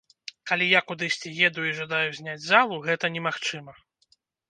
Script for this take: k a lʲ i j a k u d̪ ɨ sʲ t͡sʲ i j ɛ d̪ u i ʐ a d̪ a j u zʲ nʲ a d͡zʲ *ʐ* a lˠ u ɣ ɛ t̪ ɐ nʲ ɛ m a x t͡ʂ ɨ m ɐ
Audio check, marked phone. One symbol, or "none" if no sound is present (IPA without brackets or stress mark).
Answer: z